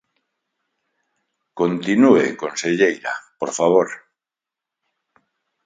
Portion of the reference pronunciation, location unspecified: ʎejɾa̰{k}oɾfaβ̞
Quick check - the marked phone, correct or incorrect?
incorrect